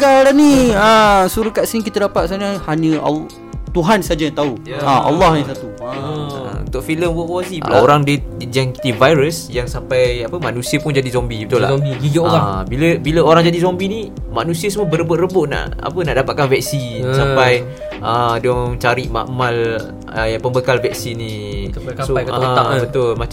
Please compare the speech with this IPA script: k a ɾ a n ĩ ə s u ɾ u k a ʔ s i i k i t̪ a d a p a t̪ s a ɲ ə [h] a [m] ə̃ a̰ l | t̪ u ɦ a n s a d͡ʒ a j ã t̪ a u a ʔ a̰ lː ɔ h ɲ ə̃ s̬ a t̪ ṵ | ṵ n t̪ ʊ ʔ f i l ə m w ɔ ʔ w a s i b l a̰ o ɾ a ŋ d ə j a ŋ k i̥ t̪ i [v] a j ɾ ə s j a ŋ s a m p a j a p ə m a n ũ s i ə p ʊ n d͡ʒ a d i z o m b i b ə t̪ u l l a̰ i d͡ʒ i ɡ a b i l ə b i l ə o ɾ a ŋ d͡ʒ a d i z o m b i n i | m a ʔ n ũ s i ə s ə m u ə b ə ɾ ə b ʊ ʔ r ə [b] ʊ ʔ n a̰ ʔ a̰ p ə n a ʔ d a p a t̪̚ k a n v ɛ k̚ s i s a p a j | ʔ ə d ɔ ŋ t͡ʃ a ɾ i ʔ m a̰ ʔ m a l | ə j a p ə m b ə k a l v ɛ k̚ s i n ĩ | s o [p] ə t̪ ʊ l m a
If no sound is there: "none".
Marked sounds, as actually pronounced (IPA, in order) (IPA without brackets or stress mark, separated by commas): h, ɲ, v, b, b